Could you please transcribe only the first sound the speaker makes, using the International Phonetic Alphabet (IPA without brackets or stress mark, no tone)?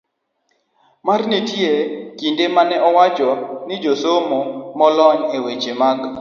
m